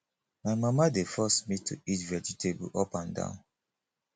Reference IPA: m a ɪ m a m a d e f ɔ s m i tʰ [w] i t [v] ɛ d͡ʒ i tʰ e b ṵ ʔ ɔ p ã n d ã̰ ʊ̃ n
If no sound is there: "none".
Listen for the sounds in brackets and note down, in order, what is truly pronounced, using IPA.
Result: u, v

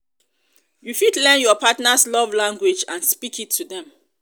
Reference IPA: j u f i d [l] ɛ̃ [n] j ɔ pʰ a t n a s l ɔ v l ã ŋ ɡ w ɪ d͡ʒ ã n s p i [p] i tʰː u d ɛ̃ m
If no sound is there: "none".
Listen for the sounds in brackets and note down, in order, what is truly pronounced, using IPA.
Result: l, n, k

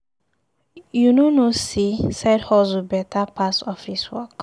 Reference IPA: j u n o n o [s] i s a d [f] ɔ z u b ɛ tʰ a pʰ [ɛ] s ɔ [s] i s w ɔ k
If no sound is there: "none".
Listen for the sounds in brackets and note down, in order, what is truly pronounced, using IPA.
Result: s, h, a, f

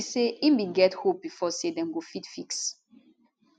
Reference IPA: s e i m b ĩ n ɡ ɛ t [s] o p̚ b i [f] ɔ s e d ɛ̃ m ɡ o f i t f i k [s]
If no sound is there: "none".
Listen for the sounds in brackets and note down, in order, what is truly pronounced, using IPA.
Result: h, f, s

